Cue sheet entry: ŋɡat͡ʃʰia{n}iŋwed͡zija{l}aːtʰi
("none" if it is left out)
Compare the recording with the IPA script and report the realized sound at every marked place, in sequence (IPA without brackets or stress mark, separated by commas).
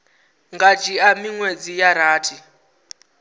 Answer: m, ɾ